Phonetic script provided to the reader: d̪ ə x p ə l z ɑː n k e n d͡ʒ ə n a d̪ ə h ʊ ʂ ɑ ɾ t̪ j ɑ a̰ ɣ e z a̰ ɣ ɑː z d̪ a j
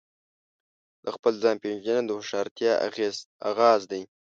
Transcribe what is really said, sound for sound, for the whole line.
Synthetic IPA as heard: d̪ ə x p ə l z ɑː n p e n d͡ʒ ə n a d̪ ə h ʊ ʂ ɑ ɾ t̪ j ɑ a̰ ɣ e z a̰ ɣ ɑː z d̪ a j